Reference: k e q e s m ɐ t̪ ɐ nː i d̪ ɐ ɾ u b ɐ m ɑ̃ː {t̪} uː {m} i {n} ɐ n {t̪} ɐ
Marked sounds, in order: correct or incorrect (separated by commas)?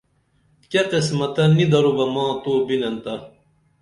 correct, incorrect, correct, correct